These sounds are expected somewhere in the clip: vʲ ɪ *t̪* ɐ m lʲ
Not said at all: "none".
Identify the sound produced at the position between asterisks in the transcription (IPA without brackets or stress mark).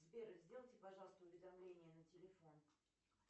d̪